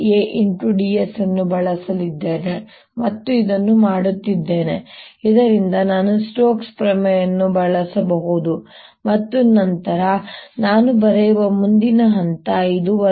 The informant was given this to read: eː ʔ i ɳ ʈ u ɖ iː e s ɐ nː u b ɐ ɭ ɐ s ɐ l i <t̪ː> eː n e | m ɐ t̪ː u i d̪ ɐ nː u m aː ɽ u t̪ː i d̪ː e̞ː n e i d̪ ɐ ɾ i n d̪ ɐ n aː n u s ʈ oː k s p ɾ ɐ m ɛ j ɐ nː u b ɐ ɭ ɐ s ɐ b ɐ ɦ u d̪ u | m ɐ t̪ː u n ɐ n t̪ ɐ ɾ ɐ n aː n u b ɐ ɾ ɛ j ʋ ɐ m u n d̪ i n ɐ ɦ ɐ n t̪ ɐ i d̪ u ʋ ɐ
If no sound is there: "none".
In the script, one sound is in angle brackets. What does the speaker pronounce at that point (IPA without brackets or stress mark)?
d̪ː